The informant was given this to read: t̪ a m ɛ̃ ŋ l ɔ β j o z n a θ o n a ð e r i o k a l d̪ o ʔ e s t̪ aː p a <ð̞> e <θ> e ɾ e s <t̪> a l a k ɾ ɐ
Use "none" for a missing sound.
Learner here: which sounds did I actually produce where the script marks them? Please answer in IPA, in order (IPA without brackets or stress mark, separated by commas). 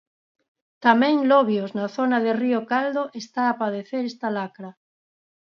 ð̞, θ, t̪